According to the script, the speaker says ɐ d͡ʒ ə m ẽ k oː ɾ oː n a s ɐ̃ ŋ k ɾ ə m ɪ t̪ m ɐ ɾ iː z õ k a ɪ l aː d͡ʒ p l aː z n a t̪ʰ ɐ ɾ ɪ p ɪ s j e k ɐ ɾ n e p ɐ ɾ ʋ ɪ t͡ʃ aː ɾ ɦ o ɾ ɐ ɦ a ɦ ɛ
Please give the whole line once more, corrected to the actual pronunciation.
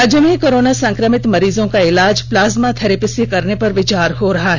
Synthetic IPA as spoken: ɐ d͡ʒ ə m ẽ k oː ɾ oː n a s ɐ̃ ŋ k ɾ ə m ɪ t̪ m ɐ ɾ iː z õ k a ɪ l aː d͡ʒ p l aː z m a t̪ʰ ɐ ɾ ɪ p ɪ s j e k ɐ ɾ n e p ɐ ɾ ʋ ɪ t͡ʃ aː ɾ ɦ o ɾ ɐ ɦ a ɦ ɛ

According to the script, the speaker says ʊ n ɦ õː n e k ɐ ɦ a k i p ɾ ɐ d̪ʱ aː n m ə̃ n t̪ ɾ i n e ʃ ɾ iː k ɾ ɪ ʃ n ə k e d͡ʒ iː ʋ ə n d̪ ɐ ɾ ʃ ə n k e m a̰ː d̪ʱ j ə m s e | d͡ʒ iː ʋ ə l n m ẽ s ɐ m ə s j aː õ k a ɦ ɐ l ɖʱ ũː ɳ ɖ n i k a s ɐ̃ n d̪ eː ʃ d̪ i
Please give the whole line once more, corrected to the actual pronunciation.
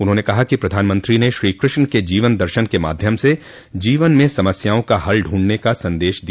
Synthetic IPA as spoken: ʊ n ɦ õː n e k ɐ ɦ a k i p ɾ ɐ d̪ʱ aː n m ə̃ n t̪ ɾ i n e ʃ ɾ iː k ɾ ɪ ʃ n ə k e d͡ʒ iː ʋ ə n d̪ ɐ ɾ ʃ ə n k e m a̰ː d̪ʱ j ə m s e | d͡ʒ iː ʋ ə n m ẽ s ɐ m ə s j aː õ k a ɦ ɐ l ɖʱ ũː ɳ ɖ n e k a s ɐ̃ n d̪ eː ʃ d̪ i

